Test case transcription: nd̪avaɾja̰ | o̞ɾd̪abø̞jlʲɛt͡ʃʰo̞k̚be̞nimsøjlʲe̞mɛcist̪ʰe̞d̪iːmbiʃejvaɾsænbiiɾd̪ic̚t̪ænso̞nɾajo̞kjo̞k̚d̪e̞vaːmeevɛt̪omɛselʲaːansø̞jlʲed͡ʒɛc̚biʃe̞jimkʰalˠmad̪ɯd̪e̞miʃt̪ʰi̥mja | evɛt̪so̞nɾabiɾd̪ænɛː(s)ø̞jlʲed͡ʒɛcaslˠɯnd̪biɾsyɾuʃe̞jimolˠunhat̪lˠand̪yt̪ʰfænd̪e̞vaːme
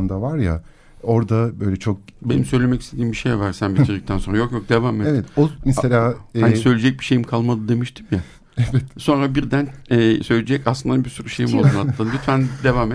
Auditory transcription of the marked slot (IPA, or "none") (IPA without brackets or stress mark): s